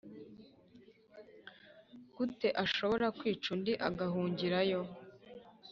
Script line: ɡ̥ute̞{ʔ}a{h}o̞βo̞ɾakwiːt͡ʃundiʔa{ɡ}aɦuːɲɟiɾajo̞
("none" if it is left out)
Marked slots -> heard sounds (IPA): ʔ, ʃ, ɡ

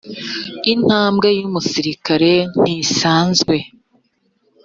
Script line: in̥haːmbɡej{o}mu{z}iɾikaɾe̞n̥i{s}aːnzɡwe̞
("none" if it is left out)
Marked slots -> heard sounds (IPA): u, s, s

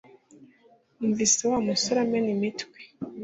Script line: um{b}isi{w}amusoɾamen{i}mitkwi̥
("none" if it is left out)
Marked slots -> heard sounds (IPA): v, w, i

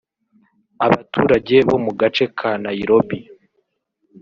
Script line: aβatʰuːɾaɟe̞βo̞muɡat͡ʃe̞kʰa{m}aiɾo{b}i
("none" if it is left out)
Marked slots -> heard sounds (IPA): n, b

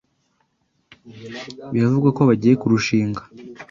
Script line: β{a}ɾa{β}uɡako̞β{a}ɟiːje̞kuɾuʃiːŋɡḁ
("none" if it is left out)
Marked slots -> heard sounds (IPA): i, v, a

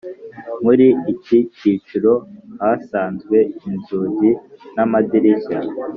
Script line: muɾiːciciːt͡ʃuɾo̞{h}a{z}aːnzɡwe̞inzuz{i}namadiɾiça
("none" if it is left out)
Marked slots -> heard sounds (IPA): h, s, i

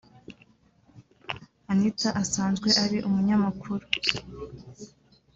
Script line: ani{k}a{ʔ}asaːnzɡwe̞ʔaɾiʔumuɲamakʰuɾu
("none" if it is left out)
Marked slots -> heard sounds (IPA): t, ʔ

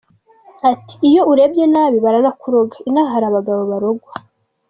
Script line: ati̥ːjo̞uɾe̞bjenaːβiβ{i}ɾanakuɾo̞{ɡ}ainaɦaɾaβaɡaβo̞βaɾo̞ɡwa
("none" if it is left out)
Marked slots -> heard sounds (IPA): a, ɡ

